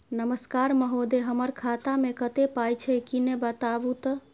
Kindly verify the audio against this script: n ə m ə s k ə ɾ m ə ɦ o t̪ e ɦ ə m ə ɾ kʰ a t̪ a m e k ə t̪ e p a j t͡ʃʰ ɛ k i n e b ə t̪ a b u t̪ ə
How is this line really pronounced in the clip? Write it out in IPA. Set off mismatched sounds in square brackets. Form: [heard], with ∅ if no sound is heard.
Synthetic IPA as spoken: n ə m ə s k [a] ɾ m ə ɦ o [d̪] e ɦ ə m ə ɾ kʰ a t̪ a m e k ə t̪ e p a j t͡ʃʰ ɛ k i n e b ə t̪ a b u t̪ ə